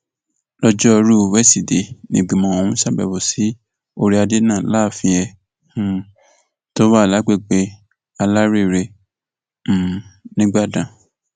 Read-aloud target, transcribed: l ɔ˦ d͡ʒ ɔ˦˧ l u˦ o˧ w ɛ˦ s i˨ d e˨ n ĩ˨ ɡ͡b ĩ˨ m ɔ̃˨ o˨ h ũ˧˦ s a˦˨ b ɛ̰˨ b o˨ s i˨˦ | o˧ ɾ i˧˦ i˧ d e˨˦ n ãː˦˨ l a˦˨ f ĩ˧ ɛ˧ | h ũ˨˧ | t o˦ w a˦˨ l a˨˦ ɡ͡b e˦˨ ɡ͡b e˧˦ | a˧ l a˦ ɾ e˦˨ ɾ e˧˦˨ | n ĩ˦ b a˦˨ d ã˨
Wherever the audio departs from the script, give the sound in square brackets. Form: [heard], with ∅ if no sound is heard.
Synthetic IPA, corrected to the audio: l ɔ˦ d͡ʒ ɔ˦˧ [ɾ] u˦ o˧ w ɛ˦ s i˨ d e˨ n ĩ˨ ɡ͡b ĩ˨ m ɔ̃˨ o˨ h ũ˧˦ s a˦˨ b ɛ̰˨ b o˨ s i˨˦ | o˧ ɾ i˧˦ [a˧] d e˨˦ n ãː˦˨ l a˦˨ f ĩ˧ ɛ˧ | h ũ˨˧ | t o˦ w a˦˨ l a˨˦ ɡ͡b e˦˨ ɡ͡b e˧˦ | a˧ l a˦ ɾ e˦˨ ɾ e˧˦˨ | n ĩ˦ [ɡ͡b] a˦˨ d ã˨